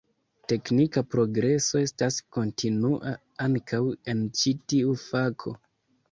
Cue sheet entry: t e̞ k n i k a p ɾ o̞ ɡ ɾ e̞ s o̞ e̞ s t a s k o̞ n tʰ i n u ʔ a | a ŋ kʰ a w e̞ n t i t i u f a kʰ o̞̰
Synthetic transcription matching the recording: t e̞ k n i k a p ɾ o̞ ɡ ɾ e̞ s o̞ e̞ s t a s k o̞ n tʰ i n u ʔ a | a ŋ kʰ a w e̞ n t͡ʃ i t i u f a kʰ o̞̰